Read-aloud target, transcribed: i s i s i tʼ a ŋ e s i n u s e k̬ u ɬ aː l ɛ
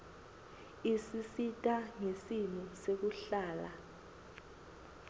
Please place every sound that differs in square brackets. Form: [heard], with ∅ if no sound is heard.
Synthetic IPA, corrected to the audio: i s i s i tʼ a ŋ e s i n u s e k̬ u ɬ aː l [a]

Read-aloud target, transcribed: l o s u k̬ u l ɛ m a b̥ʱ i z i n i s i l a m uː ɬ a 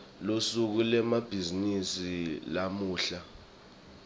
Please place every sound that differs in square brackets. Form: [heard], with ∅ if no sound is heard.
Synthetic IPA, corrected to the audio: l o s u k̬ u l ɛ m a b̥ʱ i z i n i s i l a m uː ɬ a

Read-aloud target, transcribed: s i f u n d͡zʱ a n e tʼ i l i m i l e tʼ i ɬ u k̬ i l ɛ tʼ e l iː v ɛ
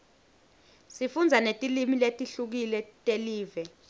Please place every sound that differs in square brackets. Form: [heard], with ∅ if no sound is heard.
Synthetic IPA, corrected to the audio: s i f u n d͡zʱ a n e tʼ i l i m i l e tʼ i ɬ u k̬ i l ɛ tʼ e l iː v ɛ

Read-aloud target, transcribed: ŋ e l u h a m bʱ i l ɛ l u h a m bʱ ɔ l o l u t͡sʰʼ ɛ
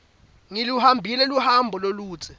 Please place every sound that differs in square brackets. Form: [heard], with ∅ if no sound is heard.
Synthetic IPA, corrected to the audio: ŋ [i] l u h a m bʱ i l ɛ l u h a m bʱ ɔ l o l [uː] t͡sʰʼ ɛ

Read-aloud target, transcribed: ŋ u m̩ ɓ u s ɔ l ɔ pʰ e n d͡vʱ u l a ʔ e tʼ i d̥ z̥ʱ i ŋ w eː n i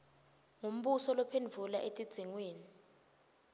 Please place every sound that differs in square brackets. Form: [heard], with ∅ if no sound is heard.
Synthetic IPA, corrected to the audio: ŋ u m̩ ɓ u s ɔ l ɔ pʰ e n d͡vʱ u l a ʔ e tʼ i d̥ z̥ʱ i ŋ w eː n i

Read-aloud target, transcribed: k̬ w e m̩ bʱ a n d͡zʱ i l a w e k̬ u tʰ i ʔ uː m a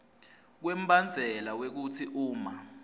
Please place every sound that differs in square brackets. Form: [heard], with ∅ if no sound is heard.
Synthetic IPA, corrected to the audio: k̬ w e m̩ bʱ a n d͡zʱ [ɛ] l a w e k̬ u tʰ i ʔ uː m a

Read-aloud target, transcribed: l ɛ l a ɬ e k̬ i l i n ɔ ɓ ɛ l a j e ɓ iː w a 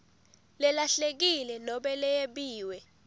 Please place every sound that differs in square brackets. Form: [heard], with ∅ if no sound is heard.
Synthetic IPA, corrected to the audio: l ɛ l a ɬ e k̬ i l [ɛ] n ɔ ɓ ɛ l [ɛ] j e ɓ iː w [ɛ]

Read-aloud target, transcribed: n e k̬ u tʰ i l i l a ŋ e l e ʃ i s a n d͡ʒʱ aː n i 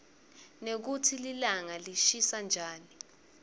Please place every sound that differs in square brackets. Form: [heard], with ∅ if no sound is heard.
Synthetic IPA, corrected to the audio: n e k̬ u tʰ i l i l a ŋ [a] l [i] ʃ i s a n d͡ʒʱ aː n i

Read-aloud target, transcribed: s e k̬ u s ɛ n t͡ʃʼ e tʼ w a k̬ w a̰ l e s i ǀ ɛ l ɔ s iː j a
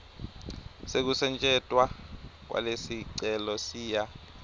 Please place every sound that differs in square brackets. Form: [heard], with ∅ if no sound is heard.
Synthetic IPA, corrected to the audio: s e k̬ u s ɛ n t͡ʃʼ [ɛ] tʼ w a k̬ w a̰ l e s i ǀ ɛ l ɔ s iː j a

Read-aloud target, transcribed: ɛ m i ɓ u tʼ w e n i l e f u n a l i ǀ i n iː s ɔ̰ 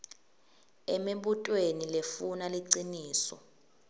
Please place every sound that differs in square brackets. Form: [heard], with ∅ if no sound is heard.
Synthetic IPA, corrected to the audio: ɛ m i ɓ u tʼ w e n i l e f u n a l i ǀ i n iː s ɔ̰

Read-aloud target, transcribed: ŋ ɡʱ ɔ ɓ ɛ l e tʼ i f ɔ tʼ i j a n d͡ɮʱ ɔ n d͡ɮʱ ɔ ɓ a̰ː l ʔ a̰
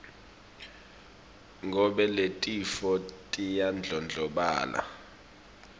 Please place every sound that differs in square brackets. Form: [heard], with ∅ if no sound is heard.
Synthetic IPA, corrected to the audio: ŋ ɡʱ ɔ ɓ ɛ l e tʼ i f ɔ tʼ i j a n d͡ɮʱ ɔ n d͡ɮʱ ɔ ɓ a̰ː l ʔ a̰

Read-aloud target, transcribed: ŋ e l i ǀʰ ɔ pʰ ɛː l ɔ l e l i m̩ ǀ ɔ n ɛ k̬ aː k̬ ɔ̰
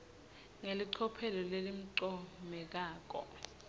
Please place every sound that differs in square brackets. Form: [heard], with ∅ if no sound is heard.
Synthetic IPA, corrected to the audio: ŋ e l i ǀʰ ɔ pʰ [ɛ] l ɔ l e l i m̩ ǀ ɔ [m] ɛ k̬ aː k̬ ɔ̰

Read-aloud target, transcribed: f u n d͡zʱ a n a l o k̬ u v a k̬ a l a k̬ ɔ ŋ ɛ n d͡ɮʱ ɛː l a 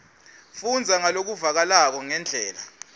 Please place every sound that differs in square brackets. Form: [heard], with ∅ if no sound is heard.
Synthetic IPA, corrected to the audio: f u n d͡zʱ a [ŋ] a l o k̬ u v a k̬ a l a k̬ ɔ ŋ ɛ n d͡ɮʱ ɛː l a

